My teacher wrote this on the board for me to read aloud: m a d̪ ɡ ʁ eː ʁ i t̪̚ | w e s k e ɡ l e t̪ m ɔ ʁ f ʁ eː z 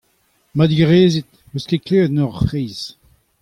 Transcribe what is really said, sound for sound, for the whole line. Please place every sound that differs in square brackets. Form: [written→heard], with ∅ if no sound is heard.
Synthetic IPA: m a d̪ ɡ ʁ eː [ʁ→z] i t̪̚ | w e s k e [ɡ→k] l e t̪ [m→n] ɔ ʁ f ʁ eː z